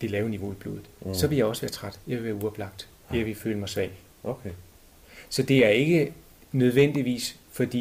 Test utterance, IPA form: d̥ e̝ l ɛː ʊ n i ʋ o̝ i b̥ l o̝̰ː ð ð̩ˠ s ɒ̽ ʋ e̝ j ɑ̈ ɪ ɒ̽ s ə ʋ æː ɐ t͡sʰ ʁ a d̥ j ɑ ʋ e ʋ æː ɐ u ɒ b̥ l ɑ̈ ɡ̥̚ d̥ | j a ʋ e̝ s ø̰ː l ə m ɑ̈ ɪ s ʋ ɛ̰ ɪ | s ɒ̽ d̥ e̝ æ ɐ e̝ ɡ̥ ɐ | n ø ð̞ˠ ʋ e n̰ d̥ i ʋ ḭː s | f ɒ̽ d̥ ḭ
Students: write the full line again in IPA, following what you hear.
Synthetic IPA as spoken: d̥ e̝ l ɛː ʊ n i ʋ o̝ i b̥ l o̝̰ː ð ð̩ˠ s ɒ̽ ʋ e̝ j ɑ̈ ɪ ɒ̽ s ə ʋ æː ɐ t͡sʰ ʁ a d̥ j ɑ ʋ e ʋ æː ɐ u ɒ b̥ l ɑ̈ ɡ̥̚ d̥ | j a ʋ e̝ f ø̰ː l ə m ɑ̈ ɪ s ʋ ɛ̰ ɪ | s ɒ̽ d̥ e̝ æ ɐ e̝ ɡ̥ ə | n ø ð̞ˠ ʋ e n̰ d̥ i ʋ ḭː s | f ɒ̽ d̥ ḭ